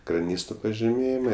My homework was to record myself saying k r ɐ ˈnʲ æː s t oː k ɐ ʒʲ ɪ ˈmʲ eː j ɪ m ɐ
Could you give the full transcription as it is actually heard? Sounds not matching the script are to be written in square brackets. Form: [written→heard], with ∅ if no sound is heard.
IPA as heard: k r ɐ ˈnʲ [æː→iː] s t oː [k→p] ɐ ʒʲ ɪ ˈmʲ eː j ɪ m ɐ